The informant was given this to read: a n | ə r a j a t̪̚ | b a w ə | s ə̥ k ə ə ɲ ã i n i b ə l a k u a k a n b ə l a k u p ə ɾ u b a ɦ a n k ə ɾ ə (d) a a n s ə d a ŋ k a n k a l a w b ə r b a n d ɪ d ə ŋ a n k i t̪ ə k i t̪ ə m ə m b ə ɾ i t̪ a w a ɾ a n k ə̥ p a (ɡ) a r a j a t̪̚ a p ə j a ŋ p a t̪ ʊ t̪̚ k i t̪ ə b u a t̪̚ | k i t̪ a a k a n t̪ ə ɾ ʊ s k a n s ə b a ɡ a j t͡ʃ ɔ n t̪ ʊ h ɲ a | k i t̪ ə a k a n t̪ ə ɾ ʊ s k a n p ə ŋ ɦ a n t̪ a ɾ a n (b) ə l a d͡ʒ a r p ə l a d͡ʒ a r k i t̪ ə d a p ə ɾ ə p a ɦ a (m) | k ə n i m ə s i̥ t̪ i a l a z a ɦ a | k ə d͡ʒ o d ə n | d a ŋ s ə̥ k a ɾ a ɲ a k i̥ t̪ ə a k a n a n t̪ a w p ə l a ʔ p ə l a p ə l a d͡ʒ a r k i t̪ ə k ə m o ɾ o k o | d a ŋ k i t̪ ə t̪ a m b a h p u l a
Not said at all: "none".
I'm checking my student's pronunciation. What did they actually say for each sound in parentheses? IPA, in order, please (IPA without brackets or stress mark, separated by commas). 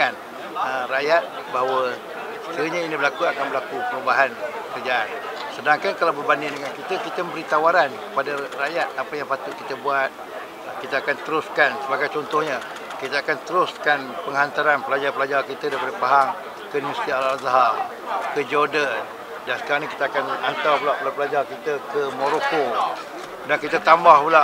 d͡ʒ, d, p, ŋ